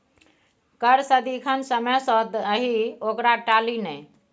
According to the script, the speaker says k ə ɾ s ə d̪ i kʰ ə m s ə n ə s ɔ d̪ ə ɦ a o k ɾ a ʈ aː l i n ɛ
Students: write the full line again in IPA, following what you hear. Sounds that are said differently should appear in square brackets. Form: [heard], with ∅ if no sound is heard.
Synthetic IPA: k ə ɾ s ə d̪ i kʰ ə [n] s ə [m] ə s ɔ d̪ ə ɦ [i] o k ɾ a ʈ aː l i n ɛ